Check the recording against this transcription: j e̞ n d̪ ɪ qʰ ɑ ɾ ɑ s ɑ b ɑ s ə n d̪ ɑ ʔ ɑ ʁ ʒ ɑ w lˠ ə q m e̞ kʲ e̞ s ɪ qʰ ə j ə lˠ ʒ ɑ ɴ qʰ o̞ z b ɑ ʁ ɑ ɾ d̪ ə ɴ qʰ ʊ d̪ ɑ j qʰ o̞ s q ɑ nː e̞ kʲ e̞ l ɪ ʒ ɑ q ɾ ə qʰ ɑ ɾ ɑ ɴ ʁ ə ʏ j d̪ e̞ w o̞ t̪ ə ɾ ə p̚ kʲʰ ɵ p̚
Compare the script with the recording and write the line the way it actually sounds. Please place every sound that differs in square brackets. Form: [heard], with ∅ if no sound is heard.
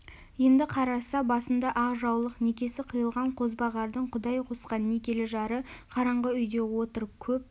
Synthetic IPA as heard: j e̞ n d̪ ɪ qʰ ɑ ɾ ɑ s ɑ b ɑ s ə n d̪ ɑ ʔ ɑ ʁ ʒ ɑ w lˠ ə q [n] e̞ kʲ e̞ s ɪ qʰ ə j ə lˠ [ʁ] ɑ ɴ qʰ o̞ z b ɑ ʁ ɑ ɾ d̪ ə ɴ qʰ ʊ d̪ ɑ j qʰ o̞ s q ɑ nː e̞ kʲ e̞ l ɪ ʒ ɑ [∅] ɾ ə qʰ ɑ ɾ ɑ ɴ ʁ ə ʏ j d̪ e̞ w o̞ t̪ ə ɾ ə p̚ kʲʰ ɵ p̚

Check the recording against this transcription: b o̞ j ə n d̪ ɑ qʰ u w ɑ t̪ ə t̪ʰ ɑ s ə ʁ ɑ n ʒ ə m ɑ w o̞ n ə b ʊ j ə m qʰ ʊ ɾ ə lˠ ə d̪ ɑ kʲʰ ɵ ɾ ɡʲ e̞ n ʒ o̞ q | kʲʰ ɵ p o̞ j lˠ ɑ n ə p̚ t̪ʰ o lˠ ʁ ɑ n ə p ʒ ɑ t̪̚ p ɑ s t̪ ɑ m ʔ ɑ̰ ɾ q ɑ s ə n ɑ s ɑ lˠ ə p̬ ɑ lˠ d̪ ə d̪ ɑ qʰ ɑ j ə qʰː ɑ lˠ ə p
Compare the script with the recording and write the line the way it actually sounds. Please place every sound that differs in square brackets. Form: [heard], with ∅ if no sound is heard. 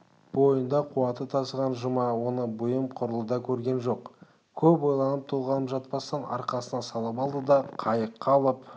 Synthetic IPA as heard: b o̞ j ə n d̪ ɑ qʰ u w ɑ t̪ ə t̪ʰ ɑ s ə ʁ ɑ n ʒ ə m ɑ w o̞ n ə b ʊ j ə m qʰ ʊ ɾ ə lˠ ə d̪ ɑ kʲʰ ɵ ɾ ɡʲ e̞ n ʒ o̞ q | kʲʰ ɵ p o̞ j lˠ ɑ n ə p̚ t̪ʰ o lˠ ʁ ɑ n ə p ʒ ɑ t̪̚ p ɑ s t̪ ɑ [n] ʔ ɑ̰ ɾ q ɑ s ə n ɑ s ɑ lˠ ə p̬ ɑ lˠ d̪ ə d̪ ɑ qʰ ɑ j ə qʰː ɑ lˠ ə p

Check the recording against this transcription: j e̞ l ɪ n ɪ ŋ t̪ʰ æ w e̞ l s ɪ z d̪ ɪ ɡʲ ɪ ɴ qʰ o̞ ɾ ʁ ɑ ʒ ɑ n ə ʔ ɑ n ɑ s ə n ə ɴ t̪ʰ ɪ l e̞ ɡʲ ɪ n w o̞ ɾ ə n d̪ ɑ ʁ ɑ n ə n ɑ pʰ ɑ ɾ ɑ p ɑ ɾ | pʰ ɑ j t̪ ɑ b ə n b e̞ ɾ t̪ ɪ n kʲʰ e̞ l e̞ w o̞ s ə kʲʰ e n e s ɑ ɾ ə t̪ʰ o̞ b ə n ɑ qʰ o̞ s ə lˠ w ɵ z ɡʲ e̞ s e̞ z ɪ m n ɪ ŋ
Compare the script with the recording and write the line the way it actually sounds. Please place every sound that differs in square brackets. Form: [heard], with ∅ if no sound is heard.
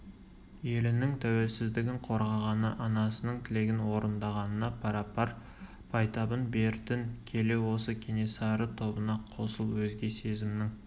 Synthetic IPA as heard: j e̞ l ɪ n ɪ ŋ t̪ʰ æ w e̞ l s ɪ z d̪ ɪ ɡʲ ɪ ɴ qʰ o̞ ɾ ʁ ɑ [ʁ] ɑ n ə ʔ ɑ n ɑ s ə n ə ɴ t̪ʰ ɪ l e̞ ɡʲ ɪ n w o̞ ɾ ə n d̪ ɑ ʁ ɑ n ə n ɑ pʰ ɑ ɾ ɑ p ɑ ɾ | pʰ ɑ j t̪ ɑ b ə n b e̞ ɾ t̪ ɪ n kʲʰ e̞ l e̞ w o̞ s ə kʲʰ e n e s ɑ ɾ ə t̪ʰ o̞ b ə n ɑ qʰ o̞ s ə lˠ w ɵ z ɡʲ e̞ s e̞ z ɪ m n ɪ ŋ

